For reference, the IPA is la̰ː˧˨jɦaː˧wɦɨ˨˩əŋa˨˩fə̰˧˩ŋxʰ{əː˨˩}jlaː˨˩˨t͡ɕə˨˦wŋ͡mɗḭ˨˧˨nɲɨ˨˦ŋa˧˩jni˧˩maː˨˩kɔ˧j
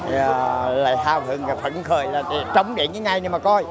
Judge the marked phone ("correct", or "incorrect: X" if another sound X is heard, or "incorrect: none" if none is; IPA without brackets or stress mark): correct